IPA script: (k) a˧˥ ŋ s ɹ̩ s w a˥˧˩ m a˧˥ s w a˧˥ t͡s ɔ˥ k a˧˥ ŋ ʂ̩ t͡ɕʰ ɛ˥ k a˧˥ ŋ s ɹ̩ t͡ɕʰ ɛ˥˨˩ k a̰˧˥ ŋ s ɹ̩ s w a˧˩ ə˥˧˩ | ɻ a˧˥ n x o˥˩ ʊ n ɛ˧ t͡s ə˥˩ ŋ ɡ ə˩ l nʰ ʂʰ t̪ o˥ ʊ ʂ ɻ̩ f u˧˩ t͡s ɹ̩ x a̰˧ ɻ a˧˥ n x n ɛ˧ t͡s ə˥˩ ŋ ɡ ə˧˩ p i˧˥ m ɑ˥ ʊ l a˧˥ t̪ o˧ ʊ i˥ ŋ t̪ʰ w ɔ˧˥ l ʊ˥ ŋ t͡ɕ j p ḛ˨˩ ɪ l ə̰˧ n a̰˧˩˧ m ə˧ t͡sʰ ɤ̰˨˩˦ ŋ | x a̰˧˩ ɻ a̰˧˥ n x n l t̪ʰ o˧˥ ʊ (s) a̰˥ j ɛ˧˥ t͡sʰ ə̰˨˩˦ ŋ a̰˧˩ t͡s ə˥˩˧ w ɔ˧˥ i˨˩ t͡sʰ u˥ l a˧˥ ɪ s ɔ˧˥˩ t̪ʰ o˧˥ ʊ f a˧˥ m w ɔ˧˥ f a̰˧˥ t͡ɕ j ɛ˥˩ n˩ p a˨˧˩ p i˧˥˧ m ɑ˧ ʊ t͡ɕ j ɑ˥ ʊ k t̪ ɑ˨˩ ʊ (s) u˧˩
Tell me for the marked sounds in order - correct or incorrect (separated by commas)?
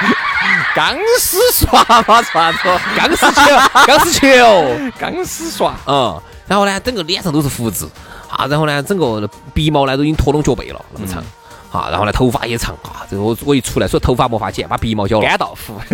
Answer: correct, incorrect, incorrect